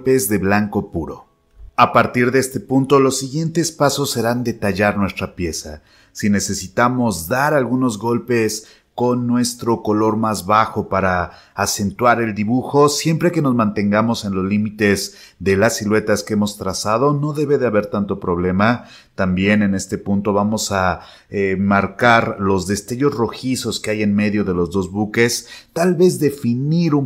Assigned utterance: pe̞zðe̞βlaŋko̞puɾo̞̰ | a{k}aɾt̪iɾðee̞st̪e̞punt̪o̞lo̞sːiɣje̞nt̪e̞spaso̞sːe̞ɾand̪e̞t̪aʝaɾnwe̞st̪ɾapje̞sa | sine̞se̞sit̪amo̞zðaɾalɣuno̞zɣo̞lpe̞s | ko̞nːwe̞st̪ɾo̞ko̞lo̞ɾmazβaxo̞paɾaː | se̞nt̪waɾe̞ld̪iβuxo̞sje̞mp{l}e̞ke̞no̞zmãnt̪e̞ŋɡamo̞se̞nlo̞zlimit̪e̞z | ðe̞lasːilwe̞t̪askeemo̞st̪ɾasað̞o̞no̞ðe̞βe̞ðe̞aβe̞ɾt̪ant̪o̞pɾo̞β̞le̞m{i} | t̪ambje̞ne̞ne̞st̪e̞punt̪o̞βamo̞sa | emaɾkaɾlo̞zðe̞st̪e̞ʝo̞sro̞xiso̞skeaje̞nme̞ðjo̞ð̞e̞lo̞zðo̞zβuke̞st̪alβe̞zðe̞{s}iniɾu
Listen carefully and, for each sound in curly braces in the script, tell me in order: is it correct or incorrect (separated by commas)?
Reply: incorrect, incorrect, incorrect, incorrect